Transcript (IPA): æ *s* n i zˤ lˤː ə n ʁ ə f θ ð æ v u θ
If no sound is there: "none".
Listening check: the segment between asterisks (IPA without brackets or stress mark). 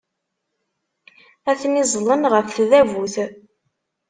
θ